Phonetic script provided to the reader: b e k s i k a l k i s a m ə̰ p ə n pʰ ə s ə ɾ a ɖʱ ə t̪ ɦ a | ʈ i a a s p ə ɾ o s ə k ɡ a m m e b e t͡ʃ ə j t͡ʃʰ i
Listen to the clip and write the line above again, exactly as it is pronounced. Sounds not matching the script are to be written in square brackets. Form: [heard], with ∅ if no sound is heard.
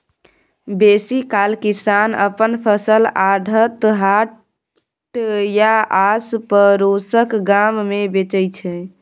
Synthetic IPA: b e [∅] s i k a l k i s a [n] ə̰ p ə n pʰ ə s ə [l] a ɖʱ ə t̪ ɦ a | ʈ [j] a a s p ə ɾ o s ə k ɡ a m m e b e t͡ʃ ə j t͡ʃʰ [ɛ]